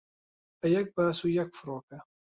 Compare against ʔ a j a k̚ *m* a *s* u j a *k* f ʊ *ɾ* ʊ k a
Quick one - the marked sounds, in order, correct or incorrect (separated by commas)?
incorrect, correct, correct, correct